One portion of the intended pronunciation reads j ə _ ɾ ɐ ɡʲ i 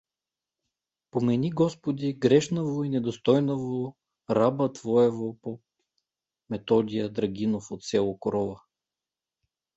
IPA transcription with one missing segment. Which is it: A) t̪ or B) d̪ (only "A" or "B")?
B